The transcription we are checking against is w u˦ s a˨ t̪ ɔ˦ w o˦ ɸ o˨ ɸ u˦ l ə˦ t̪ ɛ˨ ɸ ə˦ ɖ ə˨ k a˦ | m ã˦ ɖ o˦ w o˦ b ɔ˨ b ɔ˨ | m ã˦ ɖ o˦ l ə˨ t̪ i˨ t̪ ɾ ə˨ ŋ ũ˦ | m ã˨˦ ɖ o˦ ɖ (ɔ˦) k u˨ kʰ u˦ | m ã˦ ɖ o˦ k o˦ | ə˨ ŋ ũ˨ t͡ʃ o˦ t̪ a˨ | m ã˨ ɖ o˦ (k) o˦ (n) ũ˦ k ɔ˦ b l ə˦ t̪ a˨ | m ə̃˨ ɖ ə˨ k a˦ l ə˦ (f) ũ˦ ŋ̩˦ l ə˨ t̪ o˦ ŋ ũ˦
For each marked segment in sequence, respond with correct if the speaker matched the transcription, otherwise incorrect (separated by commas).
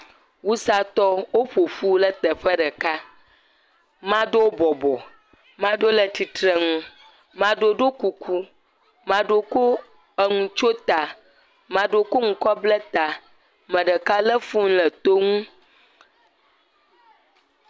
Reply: incorrect, correct, incorrect, correct